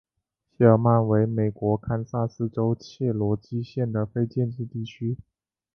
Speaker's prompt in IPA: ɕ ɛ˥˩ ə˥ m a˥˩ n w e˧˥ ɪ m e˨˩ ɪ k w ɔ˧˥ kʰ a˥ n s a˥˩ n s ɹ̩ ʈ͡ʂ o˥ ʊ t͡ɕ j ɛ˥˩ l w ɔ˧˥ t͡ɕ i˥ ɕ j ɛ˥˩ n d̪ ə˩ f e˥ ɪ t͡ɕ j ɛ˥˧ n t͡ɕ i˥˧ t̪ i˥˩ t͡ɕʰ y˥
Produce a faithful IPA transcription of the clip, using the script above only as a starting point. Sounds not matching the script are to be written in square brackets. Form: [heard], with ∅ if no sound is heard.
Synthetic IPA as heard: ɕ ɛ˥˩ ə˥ m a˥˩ n w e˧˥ ɪ m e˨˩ ɪ k w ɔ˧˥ kʰ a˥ n s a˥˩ [∅] s ɹ̩ ʈ͡ʂ o˥ ʊ [t͡ɕʰ] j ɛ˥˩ l w ɔ˧˥ t͡ɕ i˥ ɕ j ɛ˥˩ n d̪ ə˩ f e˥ ɪ t͡ɕ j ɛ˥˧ n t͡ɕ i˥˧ t̪ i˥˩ t͡ɕʰ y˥